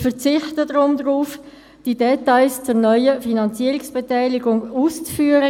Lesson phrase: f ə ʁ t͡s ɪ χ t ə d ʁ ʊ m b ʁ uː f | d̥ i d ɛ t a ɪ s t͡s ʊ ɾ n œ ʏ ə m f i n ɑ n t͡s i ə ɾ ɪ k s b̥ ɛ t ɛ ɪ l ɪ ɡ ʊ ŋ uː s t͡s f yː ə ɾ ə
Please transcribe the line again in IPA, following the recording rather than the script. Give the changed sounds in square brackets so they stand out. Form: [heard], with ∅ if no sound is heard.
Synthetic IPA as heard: f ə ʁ t͡s ɪ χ t ə d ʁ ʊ m [d] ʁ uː f | d̥ i d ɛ t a ɪ s t͡s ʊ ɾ n œ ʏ ə [∅] f i n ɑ n t͡s i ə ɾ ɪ k s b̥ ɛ t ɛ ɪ l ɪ ɡ ʊ ŋ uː s t͡s f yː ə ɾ ə